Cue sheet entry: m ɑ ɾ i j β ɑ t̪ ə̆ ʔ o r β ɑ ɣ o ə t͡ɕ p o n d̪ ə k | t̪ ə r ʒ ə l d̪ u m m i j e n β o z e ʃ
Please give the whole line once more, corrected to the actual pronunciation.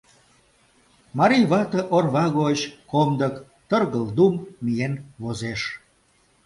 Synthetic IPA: m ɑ ɾ i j β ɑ t̪ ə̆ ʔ o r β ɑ ɣ o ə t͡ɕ k o m d̪ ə k | t̪ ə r ɣ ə l d̪ u m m i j e n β o z e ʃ